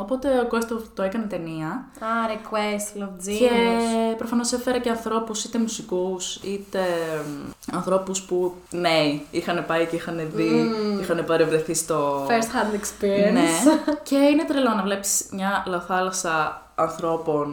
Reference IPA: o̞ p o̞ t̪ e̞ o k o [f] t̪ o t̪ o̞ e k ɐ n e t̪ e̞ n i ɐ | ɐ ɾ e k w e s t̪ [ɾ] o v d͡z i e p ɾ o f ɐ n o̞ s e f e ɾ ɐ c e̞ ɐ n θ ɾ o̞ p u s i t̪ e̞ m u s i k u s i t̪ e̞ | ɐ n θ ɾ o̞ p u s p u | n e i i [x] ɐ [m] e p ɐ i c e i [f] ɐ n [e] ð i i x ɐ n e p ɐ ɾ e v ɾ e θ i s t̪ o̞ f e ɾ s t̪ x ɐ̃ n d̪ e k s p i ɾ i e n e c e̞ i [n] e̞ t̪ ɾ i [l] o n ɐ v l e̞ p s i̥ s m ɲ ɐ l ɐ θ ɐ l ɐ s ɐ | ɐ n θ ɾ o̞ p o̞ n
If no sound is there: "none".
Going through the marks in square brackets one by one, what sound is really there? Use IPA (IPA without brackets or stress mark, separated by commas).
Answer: s, l, x, n, x, e, n, l